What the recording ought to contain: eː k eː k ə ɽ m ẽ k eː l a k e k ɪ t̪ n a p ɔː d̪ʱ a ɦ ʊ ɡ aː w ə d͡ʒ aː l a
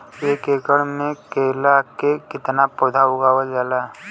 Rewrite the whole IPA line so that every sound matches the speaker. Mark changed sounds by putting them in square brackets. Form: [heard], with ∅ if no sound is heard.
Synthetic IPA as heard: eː k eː k ə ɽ m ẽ k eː l a k e k ɪ t̪ n a p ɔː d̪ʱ a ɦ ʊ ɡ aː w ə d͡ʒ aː l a

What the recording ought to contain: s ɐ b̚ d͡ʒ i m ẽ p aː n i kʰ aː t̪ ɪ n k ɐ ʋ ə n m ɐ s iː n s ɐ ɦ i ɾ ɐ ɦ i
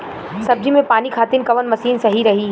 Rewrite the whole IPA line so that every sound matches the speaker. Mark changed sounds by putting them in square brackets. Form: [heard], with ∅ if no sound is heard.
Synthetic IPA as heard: s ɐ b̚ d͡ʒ i m ẽ p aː n i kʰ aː t̪ ɪ n k ɐ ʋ ə n m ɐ s iː n s ɐ ɦ i ɾ ɐ ɦ i

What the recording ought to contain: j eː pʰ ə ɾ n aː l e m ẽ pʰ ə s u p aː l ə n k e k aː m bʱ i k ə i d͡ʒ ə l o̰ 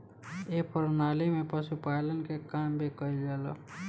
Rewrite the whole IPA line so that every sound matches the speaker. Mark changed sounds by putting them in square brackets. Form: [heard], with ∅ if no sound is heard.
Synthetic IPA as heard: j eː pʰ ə ɾ n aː l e m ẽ [p] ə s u p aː l ə n k e k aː m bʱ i k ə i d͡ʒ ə l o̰

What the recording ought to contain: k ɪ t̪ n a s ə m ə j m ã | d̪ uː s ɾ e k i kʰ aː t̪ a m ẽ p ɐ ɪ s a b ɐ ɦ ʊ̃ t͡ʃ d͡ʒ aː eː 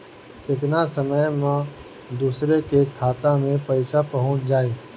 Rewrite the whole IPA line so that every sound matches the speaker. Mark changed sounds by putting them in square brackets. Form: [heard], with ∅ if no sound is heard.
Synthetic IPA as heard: k ɪ t̪ n a s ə m ə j m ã | d̪ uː s ɾ e k [e] kʰ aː t̪ a m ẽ p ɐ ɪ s a [p] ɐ ɦ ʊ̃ t͡ʃ d͡ʒ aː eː

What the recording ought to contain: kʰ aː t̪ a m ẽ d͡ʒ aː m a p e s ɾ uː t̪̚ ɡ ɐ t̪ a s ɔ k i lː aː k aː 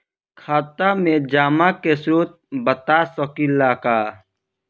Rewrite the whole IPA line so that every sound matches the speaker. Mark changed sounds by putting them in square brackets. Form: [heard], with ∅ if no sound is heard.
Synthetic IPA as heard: kʰ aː t̪ a m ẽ d͡ʒ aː m a [k] e s ɾ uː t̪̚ [b] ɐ t̪ a s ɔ k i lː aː k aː

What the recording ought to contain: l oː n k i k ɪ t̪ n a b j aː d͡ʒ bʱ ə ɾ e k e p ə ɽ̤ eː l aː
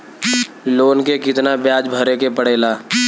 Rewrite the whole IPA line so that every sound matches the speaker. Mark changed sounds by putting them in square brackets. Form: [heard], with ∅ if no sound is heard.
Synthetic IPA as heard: l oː n k [e] k ɪ t̪ n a b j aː d͡ʒ bʱ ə ɾ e k e p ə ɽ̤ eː l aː

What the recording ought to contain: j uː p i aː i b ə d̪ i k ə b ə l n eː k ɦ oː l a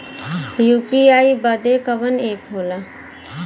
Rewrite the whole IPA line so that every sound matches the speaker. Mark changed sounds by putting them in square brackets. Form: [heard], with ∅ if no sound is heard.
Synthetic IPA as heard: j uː p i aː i b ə d̪ [e] k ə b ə [∅] n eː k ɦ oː l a

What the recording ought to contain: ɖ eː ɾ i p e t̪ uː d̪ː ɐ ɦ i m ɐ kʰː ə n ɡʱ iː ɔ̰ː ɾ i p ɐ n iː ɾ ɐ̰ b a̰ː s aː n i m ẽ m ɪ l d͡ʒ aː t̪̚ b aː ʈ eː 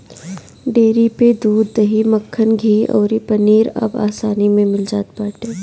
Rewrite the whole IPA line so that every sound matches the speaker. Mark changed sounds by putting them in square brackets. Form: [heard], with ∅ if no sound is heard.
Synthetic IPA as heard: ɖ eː ɾ i p e [d̪] uː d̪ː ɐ ɦ i m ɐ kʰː ə n ɡʱ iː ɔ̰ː ɾ i p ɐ n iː ɾ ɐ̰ b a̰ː s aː n i m ẽ m ɪ l d͡ʒ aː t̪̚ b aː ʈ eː

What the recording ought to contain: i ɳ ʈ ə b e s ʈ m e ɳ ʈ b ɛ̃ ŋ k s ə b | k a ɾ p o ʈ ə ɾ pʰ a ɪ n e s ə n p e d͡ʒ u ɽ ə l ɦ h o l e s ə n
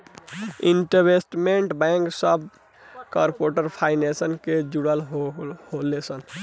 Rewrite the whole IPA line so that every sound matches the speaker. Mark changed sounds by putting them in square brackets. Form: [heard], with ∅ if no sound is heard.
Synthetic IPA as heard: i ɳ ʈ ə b e s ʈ m e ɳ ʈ b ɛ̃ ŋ k s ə b | k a ɾ p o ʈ ə ɾ pʰ a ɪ n e s ə n [k] e d͡ʒ u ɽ ə l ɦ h o l e s ə n

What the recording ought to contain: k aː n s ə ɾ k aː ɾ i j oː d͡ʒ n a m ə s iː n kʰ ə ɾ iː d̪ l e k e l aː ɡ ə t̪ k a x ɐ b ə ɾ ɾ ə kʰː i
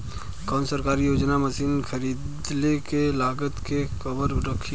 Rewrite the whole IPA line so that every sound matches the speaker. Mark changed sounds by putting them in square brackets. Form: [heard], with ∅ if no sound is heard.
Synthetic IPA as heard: k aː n s ə ɾ k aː ɾ i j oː d͡ʒ n a m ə s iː n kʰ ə ɾ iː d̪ l e k e l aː ɡ ə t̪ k [e] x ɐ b ə ɾ ɾ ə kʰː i

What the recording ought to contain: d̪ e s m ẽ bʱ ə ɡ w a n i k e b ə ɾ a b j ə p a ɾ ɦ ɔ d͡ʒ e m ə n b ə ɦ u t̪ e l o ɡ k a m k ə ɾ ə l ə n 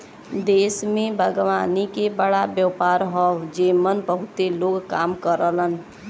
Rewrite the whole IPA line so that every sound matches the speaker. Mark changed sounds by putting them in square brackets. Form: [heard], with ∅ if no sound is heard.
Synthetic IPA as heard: d̪ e s m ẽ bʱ ə ɡ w a n i k e b ə [ɽ] a b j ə p a ɾ ɦ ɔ d͡ʒ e m ə n b ə ɦ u t̪ e l o ɡ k a m k ə ɾ ə l ə n

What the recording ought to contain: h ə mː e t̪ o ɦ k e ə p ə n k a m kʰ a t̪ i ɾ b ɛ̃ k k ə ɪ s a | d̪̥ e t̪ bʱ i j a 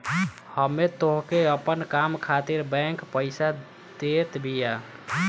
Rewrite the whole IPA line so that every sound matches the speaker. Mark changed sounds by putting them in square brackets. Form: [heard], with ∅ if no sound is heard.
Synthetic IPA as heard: h ə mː e t̪ o ɦ k e ə p ə n k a m kʰ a t̪ i ɾ b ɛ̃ k [p] ə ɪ s a | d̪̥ e t̪ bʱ i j a

